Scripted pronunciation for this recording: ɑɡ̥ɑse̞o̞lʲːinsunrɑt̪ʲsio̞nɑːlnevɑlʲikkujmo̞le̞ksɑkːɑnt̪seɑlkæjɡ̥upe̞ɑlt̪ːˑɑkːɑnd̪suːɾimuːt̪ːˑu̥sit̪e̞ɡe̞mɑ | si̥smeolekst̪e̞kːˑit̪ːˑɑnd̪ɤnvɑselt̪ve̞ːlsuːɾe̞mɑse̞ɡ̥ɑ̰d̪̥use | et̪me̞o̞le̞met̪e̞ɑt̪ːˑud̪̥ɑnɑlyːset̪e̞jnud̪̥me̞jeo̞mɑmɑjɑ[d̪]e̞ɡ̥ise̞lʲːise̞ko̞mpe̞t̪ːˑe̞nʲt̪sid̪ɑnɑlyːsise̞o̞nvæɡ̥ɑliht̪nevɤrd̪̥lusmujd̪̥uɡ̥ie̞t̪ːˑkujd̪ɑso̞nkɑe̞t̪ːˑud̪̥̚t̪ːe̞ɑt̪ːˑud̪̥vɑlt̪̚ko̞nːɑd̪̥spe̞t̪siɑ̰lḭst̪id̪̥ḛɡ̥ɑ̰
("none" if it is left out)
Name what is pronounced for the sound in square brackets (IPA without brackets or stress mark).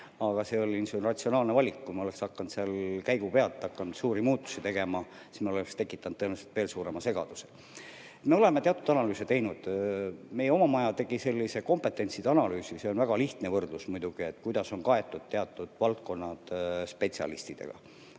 t̪